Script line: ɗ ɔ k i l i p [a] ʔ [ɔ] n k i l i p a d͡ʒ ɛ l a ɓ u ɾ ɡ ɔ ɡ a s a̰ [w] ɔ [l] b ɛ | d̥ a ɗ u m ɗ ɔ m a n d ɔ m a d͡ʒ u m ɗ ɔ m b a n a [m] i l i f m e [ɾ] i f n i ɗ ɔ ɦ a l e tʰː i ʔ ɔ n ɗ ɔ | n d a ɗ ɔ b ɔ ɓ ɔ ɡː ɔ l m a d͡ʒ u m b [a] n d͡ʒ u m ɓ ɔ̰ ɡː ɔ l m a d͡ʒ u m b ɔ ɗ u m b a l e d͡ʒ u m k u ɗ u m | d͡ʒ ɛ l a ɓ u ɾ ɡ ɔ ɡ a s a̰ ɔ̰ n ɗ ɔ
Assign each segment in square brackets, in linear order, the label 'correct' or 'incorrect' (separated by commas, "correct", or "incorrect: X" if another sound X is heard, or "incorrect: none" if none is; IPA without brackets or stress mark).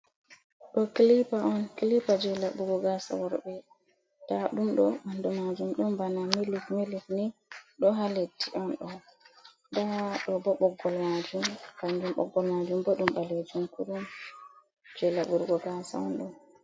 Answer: correct, correct, correct, incorrect: ɾ, correct, incorrect: l, correct